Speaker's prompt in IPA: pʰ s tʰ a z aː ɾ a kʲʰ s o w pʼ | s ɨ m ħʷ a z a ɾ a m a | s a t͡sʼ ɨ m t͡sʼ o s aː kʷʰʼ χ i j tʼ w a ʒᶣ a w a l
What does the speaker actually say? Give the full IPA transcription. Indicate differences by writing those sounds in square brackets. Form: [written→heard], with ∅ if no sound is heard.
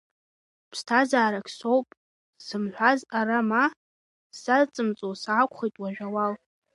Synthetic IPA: pʰ s tʰ a z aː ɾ a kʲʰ s o w pʼ | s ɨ m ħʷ a z a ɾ a m a | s a t͡sʼ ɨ m t͡sʼ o s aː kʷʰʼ χ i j tʼ w a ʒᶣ a w a l